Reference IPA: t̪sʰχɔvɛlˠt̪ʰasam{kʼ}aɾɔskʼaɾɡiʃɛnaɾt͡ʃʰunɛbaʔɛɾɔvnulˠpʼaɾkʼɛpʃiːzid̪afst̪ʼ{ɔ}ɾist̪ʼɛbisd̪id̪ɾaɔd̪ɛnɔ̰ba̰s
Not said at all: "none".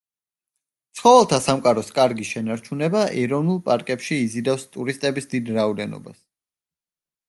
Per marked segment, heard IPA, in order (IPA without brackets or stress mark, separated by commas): kʼ, u